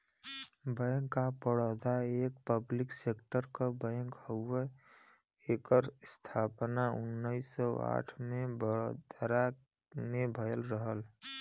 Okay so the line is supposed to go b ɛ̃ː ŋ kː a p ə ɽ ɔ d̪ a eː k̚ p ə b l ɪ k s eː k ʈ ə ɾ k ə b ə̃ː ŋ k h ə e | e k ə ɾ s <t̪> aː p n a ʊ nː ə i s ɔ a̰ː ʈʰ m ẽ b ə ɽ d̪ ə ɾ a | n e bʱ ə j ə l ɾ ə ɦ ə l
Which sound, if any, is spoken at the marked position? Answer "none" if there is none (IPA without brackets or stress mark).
t̪ʰ